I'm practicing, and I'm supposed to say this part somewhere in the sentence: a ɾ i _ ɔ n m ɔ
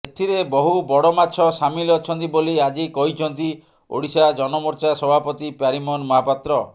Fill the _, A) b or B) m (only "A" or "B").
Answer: B